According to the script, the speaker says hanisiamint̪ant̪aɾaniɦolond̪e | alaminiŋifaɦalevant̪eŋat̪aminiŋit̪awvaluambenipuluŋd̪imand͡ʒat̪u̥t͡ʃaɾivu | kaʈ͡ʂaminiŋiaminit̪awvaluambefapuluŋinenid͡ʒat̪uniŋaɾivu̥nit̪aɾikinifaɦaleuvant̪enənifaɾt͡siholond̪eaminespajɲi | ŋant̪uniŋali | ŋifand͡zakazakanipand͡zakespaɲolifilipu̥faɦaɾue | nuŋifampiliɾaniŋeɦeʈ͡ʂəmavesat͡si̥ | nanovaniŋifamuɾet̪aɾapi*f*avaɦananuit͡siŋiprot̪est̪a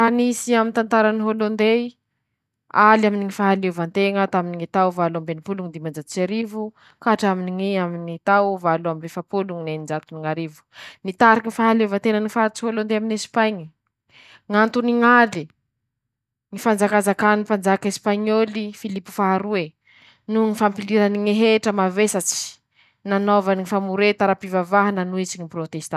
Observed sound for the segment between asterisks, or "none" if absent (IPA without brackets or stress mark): v